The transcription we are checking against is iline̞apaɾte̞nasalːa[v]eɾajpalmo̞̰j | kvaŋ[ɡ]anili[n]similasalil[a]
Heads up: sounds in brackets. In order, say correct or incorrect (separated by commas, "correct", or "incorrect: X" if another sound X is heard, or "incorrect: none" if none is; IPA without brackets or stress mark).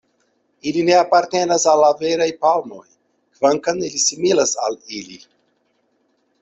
correct, incorrect: k, incorrect: none, incorrect: i